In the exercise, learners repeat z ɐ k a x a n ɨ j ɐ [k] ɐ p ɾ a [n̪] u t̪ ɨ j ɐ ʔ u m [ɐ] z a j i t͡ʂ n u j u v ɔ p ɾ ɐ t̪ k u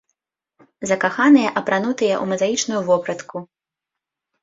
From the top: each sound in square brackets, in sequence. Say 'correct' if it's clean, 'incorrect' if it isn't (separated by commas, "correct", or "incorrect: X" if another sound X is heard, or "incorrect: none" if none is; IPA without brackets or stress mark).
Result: incorrect: ʔ, correct, correct